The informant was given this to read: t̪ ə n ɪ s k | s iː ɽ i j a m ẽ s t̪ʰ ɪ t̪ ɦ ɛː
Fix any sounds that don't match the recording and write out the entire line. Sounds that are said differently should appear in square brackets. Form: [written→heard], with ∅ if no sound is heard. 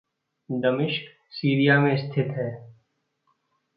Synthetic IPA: [t̪→d̪] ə [n→m] ɪ [s→ʃ] k | s iː [ɽ→ɾ] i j a m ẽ s t̪ʰ ɪ t̪ ɦ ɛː